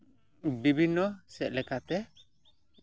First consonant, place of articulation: labial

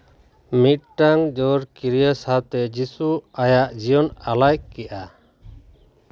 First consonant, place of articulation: labial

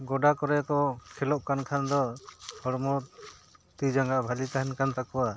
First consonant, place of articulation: velar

